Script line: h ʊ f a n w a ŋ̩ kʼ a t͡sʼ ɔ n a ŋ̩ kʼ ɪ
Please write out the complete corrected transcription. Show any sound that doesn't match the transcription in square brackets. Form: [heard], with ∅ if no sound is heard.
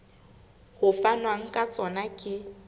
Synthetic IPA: h ʊ f a n w a ŋ̩ kʼ a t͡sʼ ɔ n a [∅] kʼ ɪ